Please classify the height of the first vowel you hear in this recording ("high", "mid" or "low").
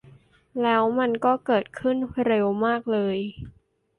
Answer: mid